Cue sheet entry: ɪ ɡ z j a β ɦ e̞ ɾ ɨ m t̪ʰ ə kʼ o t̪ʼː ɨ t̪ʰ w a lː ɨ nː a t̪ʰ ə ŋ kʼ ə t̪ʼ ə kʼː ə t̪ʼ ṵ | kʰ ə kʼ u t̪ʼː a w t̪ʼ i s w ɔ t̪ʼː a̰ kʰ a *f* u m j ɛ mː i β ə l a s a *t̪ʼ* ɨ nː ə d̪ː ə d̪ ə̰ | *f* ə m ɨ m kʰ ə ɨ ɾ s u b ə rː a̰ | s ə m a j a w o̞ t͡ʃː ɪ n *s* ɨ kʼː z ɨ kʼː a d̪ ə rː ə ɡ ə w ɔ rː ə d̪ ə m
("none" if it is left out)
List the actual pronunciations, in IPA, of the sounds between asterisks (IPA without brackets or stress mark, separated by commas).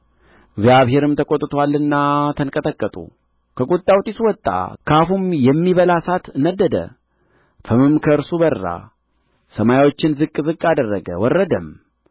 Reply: f, t̪, f, z